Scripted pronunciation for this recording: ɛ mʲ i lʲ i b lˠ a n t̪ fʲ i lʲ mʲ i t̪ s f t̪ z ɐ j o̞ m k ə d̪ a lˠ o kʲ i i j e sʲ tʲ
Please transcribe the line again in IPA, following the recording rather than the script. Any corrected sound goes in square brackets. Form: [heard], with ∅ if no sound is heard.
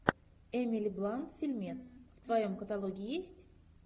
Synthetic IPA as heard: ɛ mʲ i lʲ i b lˠ a n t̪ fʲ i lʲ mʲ [e] t̪ s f t̪ [v] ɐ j o̞ m k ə [t̪] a lˠ o [ɡʲ] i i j e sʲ tʲ